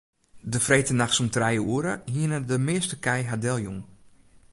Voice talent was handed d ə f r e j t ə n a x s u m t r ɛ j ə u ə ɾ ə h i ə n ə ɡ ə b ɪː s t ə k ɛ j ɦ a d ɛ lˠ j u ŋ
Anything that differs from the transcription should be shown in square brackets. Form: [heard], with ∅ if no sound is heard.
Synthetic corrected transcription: d ə f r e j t ə n a x s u m t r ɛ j ə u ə ɾ ə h i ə n ə [d] ə [m] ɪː s t ə k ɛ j ɦ a d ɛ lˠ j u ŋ